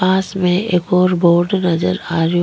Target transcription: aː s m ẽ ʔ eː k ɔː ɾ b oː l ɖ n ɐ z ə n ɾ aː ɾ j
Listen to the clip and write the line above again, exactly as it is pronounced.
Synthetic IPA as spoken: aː s m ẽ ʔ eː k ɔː ɾ b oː ɾ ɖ n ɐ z ə ɾ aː ɾ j